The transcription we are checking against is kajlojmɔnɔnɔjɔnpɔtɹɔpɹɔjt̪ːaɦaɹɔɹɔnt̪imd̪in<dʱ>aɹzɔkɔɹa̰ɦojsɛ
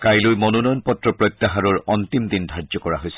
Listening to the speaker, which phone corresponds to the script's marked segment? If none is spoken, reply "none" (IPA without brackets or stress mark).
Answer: dʱ